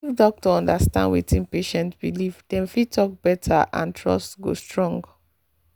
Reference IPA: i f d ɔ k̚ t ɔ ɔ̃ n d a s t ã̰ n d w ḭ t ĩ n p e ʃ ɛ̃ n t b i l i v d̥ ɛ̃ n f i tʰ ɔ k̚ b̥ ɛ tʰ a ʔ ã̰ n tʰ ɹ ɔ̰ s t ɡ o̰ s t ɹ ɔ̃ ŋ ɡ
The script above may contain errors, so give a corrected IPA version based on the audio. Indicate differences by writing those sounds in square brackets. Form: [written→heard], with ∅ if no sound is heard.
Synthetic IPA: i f d ɔ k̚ t ɔ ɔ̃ n d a s t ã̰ n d w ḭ t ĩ n p e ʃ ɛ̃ n t b i l i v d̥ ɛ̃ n f i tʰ ɔ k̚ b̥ ɛ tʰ a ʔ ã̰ n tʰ ɹ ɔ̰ s t ɡ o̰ s t ɹ ɔ̃ ŋ ɡ